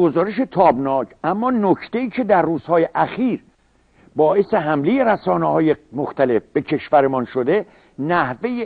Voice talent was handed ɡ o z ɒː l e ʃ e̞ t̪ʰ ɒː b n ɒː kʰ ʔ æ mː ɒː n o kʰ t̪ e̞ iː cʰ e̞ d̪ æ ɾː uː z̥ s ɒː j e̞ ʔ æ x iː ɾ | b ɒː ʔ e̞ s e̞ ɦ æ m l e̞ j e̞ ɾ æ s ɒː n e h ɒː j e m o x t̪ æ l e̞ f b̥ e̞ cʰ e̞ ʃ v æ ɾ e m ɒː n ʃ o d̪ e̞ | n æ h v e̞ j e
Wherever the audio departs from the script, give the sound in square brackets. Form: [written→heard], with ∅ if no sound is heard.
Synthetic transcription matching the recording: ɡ o z ɒː [l→ɾ] e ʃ e̞ t̪ʰ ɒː b n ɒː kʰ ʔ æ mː ɒː n o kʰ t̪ e̞ iː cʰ e̞ d̪ æ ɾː uː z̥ [s→h] ɒː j e̞ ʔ æ x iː ɾ | b ɒː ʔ e̞ s e̞ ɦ æ m l e̞ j e̞ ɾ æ s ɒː n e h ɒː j e m o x t̪ æ l e̞ f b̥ e̞ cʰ e̞ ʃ v æ ɾ e m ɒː n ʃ o d̪ e̞ | n æ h v e̞ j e